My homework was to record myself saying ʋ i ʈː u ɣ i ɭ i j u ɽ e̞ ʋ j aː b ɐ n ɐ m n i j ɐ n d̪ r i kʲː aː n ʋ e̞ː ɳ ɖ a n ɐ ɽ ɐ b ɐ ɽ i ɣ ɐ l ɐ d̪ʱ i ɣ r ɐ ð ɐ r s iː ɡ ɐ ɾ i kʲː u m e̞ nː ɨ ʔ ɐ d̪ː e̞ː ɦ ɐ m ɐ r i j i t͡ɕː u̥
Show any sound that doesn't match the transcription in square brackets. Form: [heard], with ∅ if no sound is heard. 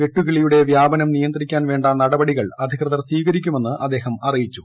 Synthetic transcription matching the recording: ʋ [e] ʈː u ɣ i ɭ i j u ɽ e̞ ʋ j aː b ɐ n ɐ m n i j ɐ n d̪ r i kʲː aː n ʋ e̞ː ɳ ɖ a n ɐ ɽ ɐ b ɐ ɽ i ɣ ɐ [ɭ] ɐ d̪ʱ i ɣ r ɐ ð ɐ r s iː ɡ ɐ ɾ i kʲː u m e̞ nː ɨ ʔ ɐ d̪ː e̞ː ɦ ɐ m ɐ r i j i t͡ɕː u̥